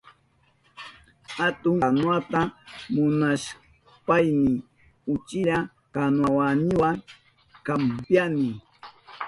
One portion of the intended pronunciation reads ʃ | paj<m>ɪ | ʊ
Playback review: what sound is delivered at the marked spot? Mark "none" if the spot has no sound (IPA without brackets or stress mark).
n